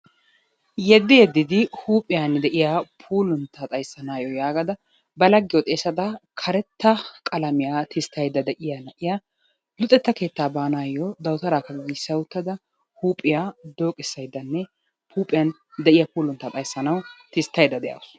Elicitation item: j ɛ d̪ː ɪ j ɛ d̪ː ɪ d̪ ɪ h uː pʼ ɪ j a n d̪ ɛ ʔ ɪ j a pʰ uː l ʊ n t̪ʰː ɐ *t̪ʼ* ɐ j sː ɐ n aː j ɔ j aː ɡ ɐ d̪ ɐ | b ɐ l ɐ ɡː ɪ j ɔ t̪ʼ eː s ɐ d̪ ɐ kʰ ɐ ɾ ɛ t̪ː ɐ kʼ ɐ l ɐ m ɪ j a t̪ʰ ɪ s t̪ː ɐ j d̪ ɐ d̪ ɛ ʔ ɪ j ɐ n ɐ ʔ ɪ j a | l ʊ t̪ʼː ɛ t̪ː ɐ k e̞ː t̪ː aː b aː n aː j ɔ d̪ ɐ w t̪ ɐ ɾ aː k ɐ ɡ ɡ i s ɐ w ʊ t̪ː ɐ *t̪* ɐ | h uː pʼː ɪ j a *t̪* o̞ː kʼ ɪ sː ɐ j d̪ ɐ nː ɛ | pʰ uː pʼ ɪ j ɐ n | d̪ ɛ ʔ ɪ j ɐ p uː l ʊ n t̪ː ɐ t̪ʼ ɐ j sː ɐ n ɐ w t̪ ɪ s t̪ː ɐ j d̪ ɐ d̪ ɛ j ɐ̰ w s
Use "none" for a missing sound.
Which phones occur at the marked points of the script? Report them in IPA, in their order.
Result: t̪ʼ, d̪, d̪

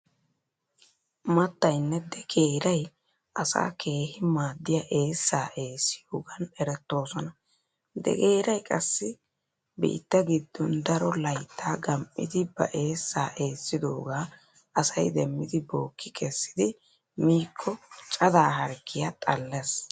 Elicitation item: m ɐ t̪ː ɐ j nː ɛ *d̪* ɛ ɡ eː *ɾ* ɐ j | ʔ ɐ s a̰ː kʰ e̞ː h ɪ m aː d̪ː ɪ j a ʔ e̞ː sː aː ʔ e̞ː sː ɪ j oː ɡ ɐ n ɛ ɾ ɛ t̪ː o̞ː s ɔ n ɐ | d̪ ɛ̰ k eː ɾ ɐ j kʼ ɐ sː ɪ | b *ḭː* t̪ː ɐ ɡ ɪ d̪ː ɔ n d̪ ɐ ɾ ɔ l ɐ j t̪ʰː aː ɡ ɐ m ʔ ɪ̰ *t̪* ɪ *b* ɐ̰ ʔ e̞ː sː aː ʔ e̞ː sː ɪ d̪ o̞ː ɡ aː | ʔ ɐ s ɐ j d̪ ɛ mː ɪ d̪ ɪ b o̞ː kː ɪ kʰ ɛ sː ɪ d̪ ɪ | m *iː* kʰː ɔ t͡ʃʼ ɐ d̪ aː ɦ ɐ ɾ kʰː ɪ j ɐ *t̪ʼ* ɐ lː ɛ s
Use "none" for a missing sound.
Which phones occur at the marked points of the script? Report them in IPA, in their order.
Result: d̪, ɾ, ḭː, d̪, b, iː, t̪ʼ

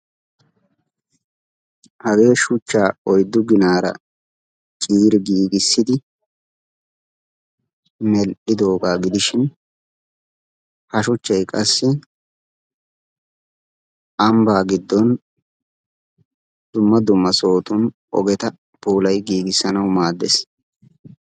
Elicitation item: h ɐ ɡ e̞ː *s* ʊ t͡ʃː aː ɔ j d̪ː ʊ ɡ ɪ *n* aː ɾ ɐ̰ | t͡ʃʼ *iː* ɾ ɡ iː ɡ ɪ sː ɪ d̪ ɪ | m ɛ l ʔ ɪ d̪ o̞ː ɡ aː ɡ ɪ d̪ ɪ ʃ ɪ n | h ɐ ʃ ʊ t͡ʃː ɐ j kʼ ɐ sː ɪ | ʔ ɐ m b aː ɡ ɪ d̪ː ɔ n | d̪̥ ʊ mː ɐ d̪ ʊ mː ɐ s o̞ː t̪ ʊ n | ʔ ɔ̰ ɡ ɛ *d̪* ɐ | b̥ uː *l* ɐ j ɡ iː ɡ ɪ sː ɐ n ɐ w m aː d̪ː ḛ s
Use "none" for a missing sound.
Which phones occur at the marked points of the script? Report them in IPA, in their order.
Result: ʃ, n, iː, t̪, l

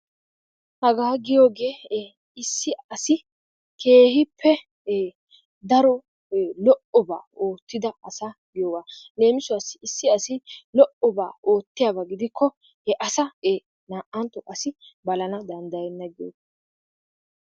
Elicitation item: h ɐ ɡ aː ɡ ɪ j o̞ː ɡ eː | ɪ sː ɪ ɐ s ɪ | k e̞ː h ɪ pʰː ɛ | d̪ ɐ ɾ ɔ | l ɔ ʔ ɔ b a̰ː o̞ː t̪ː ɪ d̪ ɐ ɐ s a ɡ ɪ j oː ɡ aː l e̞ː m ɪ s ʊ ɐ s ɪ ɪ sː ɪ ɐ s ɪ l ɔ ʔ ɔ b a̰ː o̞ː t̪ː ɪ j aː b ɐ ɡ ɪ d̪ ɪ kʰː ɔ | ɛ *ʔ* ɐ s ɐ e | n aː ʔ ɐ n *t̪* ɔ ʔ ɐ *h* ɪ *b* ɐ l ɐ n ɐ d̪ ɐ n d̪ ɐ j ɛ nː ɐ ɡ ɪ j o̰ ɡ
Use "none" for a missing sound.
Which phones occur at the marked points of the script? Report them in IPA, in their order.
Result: ʔ, t̪, s, b

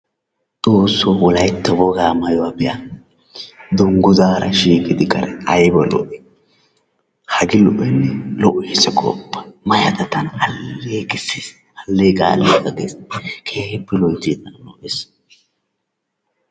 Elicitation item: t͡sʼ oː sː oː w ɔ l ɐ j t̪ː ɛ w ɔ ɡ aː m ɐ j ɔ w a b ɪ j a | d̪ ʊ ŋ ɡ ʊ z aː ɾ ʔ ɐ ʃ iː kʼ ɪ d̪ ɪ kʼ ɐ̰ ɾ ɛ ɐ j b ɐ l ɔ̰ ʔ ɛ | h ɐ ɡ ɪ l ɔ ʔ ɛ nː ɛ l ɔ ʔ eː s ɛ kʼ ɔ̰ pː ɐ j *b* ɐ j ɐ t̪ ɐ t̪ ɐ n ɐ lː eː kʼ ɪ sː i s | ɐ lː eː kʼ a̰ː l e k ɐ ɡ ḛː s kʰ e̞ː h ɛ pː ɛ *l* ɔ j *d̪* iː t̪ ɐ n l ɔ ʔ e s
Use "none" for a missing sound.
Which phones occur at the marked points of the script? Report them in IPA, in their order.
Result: m, l, t̪

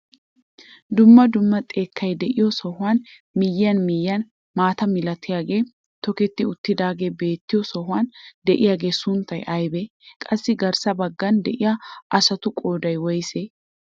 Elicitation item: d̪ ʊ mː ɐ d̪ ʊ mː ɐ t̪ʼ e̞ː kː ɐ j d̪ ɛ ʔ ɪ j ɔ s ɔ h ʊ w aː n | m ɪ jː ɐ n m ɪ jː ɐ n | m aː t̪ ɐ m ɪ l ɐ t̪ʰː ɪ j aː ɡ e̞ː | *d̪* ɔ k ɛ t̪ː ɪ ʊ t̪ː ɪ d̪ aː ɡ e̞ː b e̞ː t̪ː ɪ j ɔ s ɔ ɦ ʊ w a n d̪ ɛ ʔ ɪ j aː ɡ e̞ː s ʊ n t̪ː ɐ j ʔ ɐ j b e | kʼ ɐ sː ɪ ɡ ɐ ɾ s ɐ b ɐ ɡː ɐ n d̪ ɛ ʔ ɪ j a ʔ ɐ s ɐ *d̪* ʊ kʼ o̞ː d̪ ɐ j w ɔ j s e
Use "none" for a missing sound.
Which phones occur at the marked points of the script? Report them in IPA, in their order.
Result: t̪, t̪

